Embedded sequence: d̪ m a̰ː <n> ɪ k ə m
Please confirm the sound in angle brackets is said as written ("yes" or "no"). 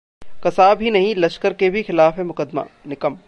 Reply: yes